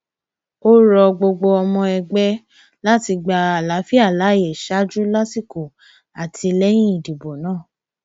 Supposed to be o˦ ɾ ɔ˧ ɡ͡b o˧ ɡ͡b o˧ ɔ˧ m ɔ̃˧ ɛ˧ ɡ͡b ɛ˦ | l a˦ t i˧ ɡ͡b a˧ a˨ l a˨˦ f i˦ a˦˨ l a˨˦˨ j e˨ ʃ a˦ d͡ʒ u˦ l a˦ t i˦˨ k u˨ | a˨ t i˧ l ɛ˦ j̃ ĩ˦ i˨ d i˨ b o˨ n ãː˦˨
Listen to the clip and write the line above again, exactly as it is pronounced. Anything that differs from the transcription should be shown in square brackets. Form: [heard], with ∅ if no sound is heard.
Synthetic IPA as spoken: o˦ ɾ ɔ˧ ɡ͡b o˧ ɡ͡b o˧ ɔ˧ m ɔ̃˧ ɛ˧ ɡ͡b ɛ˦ | l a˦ t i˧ ɡ͡b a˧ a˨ l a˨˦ f i˦ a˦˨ l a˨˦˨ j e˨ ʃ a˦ d͡ʒ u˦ l a˦ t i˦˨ k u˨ | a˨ t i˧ l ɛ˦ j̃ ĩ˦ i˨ d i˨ b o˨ n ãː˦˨